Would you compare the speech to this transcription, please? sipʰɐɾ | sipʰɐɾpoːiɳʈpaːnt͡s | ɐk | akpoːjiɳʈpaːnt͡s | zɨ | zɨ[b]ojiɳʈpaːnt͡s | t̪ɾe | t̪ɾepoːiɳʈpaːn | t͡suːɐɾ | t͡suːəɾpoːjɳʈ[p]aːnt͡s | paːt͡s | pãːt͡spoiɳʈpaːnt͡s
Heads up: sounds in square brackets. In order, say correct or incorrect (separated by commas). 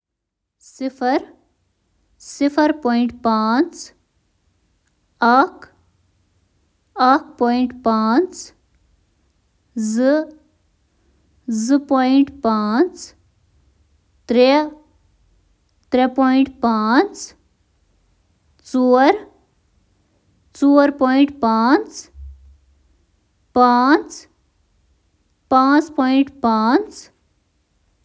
incorrect, correct